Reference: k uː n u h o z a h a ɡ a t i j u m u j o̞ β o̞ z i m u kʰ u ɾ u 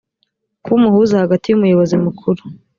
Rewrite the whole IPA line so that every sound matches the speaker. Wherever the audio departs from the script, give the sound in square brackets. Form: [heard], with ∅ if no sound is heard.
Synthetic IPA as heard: k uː [m] u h [u] z a h a ɡ a t i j u m u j o̞ β o̞ z i m u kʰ u ɾ u